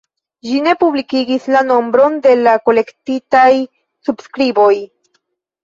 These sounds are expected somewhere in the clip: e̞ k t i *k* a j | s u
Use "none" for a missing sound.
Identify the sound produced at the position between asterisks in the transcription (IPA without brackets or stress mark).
t